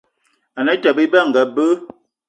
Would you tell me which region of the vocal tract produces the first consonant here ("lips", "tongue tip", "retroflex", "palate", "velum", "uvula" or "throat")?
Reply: tongue tip